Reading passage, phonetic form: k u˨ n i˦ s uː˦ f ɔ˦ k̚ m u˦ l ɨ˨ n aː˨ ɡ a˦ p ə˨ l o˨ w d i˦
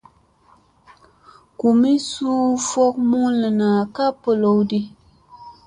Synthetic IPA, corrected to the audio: k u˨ m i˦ s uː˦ f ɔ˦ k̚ m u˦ l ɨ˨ n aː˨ k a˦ p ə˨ l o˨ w d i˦